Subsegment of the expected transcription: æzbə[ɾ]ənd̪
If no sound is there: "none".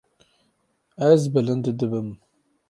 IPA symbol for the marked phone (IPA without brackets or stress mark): l